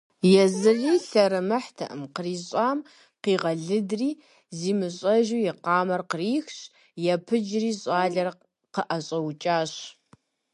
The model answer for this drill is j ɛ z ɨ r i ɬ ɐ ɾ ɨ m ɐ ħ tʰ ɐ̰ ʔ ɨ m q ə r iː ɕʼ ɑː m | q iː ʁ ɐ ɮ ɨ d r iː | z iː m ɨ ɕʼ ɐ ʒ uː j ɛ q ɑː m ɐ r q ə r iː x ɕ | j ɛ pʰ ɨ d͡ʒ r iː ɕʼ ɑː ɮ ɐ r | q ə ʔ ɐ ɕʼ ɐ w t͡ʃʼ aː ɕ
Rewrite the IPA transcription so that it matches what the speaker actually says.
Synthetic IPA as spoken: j ɛ z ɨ r iː ɬ ɐ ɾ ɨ m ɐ ħ tʰ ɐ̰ ʔ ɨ m q ə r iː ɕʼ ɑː m | q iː ʁ ɐ ɮ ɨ d r iː | z iː m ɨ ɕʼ ɐ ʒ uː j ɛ q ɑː m ɐ r q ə r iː x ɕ | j ɛ pʰ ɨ d͡ʒ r iː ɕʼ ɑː ɮ ɐ r | q ə ʔ ɐ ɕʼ ɐ w t͡ʃʼ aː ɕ